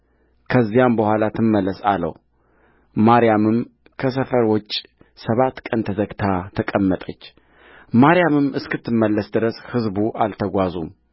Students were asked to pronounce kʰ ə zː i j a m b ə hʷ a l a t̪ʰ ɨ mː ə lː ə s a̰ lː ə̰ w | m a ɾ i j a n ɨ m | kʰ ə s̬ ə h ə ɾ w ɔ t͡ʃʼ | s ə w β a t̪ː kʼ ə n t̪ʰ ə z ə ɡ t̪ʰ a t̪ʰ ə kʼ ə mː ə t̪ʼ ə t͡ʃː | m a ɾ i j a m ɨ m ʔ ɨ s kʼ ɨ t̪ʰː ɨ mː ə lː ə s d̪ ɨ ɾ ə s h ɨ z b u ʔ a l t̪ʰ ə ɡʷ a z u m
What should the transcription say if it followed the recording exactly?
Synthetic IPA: kʰ ə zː i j a m b ə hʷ a l a t̪ʰ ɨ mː ə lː ə s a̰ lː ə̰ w | m a ɾ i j a m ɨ m | kʰ ə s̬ ə f ə ɾ w ɔ t͡ʃʼ | s ə β a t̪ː kʼ ə n t̪ʰ ə z ə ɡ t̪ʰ a t̪ʰ ə kʼ ə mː ə t̪ʼ ə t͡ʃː | m a ɾ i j a m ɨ m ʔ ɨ s k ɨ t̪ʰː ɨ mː ə lː ə s d̪ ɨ ɾ ə s h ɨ z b u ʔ a l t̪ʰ ə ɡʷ a z u m